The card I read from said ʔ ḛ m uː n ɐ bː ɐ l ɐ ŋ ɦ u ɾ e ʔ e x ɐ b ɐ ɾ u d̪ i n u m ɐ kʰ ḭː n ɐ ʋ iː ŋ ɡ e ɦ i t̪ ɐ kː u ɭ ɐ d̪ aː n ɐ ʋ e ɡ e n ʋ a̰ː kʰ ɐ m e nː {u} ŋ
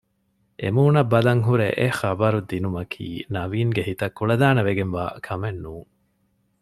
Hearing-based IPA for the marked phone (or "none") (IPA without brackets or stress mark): uː